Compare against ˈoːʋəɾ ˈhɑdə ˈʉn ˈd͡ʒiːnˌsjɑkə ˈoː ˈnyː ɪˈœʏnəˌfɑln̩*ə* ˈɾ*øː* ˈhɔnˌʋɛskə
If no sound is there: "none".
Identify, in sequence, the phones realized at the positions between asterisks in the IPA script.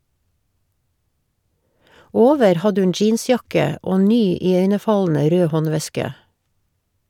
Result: ə, øː

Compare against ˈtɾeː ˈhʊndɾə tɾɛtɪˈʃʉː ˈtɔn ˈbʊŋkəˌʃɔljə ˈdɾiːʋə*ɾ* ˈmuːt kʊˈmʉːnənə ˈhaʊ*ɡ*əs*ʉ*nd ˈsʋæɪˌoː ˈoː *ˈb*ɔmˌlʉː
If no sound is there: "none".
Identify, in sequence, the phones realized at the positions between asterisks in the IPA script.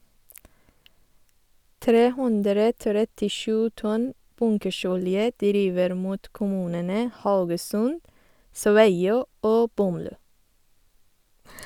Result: ɾ, ɡ, ʉ, b

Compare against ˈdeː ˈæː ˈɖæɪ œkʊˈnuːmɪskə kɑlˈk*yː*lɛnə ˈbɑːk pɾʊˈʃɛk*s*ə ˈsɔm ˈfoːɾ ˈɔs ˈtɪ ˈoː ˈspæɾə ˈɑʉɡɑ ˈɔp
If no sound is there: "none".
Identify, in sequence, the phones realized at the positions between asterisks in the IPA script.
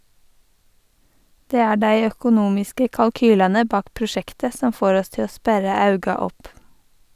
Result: yː, t

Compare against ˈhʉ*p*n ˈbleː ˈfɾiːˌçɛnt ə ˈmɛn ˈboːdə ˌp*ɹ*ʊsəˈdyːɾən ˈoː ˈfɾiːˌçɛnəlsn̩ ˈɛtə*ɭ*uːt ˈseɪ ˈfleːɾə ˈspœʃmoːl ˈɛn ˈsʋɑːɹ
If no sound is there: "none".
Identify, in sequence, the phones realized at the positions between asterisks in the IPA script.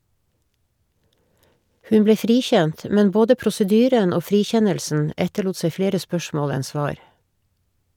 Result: none, ɾ, ɭ

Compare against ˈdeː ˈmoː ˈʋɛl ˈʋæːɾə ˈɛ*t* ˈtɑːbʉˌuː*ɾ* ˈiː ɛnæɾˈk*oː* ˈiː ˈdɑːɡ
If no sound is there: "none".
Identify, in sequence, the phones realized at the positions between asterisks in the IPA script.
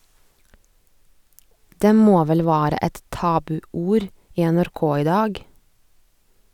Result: t, ɾ, oː

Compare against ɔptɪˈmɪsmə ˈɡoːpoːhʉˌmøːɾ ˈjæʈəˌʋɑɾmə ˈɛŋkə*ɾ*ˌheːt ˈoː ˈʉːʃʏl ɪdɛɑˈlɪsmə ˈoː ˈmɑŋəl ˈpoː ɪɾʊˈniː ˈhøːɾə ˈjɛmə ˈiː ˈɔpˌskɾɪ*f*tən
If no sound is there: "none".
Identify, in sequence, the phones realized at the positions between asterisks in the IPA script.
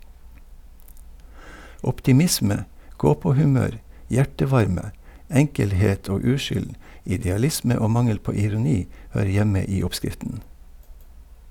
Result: l, f

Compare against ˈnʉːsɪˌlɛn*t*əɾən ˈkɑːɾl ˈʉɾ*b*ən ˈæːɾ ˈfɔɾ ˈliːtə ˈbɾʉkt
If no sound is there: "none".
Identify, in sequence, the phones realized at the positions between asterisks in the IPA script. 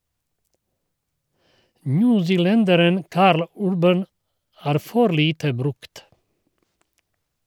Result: d, b

